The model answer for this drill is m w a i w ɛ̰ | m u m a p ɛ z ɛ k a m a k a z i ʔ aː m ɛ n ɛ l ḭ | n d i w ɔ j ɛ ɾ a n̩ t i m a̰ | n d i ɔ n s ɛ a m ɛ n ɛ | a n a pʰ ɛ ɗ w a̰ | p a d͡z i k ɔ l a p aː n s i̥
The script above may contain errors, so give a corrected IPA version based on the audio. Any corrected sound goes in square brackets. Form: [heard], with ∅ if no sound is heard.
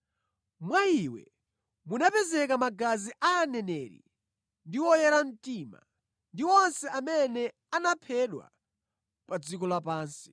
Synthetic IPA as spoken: m w a i w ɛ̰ | m u [n] a p ɛ z ɛ k a m a [ɡ] a z i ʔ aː [n] ɛ n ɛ [ɾ] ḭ | n d i w ɔ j ɛ ɾ a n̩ t i m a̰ | n d i ɔ n s ɛ a m ɛ n ɛ | a n a pʰ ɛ ɗ w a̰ | p a d͡z i k ɔ l a p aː n s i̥